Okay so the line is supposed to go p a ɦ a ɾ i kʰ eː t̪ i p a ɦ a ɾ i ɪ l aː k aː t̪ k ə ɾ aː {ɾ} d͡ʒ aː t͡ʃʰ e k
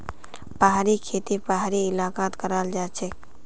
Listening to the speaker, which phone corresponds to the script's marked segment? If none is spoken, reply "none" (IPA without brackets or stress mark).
l